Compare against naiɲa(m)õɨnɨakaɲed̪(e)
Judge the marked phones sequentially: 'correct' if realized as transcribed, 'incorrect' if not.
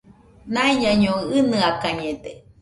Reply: incorrect: ɲ, correct

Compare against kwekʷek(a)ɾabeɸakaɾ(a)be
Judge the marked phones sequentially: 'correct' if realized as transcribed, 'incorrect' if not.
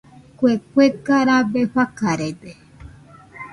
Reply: correct, incorrect: e

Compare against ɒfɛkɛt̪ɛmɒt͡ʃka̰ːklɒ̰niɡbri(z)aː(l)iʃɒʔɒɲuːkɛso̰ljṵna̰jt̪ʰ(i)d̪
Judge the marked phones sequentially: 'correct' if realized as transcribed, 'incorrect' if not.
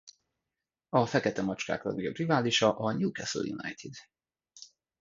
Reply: incorrect: v, correct, correct

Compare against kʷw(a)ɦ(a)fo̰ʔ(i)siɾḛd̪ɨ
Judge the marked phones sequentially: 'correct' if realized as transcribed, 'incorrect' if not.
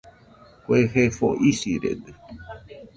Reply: incorrect: e, incorrect: e, correct

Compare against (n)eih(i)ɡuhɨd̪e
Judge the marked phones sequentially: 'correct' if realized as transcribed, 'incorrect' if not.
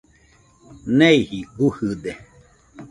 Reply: correct, correct

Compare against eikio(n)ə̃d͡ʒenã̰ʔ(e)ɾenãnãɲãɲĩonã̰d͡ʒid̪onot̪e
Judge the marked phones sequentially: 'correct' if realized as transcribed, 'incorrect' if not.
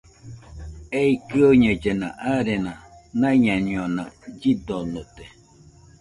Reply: incorrect: ɲ, incorrect: a

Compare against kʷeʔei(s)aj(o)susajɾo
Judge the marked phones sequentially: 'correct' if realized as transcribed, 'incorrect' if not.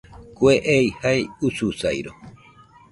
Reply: incorrect: h, incorrect: u

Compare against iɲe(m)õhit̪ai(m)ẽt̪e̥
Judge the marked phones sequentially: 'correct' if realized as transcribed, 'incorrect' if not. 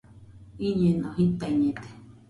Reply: incorrect: n, incorrect: ɲ

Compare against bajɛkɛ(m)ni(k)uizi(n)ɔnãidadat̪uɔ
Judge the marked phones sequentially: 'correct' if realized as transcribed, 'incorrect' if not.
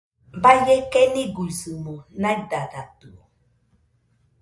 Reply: incorrect: none, incorrect: ɡ, incorrect: m

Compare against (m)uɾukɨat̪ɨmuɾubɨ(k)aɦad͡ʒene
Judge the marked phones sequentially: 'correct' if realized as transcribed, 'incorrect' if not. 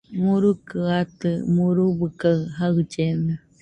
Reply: correct, correct

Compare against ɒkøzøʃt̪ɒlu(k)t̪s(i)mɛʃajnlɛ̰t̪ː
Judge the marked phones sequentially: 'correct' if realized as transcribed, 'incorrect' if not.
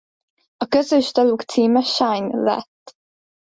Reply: correct, incorrect: iː

